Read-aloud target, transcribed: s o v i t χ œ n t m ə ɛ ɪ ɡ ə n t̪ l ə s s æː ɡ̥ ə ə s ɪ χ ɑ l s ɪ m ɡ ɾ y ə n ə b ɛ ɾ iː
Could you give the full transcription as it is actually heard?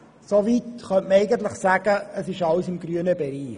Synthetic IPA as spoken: s o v i t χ œ n t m ə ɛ ɪ ɡ ə n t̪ l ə χ s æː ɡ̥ ə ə s ɪ ʃ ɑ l s ɪ m ɡ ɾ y ə n ə b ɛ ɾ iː